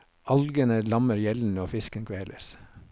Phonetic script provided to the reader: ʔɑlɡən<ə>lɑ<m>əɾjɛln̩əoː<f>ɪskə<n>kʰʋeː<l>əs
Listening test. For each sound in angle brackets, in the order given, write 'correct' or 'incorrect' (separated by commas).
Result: correct, correct, correct, correct, correct